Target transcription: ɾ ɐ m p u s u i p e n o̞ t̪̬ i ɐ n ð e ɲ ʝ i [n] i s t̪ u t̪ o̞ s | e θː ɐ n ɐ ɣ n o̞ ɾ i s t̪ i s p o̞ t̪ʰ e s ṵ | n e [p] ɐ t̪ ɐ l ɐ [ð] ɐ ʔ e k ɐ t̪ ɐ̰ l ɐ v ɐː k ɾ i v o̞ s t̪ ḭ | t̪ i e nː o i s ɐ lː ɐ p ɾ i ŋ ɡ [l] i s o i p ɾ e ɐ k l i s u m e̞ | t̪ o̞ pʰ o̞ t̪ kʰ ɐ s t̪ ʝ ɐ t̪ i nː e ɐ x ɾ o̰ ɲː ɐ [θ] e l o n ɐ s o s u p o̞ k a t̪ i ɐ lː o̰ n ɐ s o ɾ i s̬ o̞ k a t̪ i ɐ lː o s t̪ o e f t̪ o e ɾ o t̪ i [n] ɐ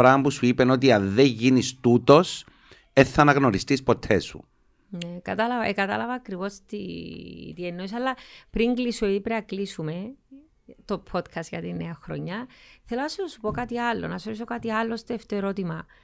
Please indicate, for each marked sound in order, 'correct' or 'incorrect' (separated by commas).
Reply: correct, incorrect, incorrect, correct, correct, incorrect